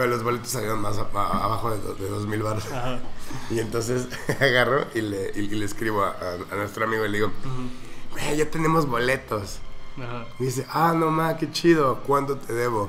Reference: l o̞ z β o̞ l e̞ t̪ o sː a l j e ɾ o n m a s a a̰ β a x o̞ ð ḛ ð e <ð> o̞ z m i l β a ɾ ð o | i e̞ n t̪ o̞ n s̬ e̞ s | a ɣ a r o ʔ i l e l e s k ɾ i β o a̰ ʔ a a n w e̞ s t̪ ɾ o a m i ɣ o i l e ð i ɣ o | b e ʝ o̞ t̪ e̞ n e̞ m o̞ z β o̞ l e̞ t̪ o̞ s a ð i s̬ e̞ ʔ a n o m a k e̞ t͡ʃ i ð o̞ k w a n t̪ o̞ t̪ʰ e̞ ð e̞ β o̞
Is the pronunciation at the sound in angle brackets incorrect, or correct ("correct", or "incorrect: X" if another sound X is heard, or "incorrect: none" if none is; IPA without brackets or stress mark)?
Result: correct